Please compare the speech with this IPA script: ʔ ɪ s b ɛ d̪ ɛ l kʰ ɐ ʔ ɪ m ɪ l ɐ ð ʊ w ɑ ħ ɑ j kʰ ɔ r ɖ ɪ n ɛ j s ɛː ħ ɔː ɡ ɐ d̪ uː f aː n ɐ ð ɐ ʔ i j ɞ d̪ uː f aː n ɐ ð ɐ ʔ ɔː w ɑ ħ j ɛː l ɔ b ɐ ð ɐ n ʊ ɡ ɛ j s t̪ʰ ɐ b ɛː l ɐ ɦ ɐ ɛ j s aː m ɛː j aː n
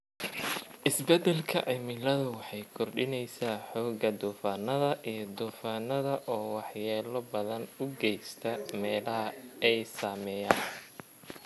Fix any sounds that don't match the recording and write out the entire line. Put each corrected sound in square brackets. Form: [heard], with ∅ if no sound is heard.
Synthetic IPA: ʔ ɪ s b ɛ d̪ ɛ l kʰ ɐ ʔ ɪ m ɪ l ɐ ð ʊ w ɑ ħ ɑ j kʰ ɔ r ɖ ɪ n ɛ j s [aː] ħ ɔː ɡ ɐ d̪ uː f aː n ɐ ð ɐ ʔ i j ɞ d̪ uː f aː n ɐ ð ɐ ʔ ɔː w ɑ ħ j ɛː l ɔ b ɐ ð ɐ n ʊ ɡ ɛ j s t̪ʰ ɐ [m] ɛː l ɐ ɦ ɐ ɛ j s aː m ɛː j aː n